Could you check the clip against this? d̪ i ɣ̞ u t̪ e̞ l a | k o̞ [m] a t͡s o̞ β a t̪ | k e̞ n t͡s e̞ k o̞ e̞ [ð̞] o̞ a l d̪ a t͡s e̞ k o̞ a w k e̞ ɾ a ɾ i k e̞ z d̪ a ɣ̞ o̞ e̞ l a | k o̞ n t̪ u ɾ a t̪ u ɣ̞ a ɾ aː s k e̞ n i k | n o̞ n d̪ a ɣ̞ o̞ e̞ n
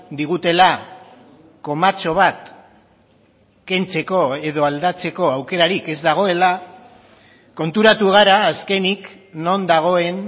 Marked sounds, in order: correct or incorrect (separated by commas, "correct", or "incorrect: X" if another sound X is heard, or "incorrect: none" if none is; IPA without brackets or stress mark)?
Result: correct, correct